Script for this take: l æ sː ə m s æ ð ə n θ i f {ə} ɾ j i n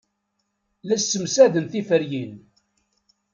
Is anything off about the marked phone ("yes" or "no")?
no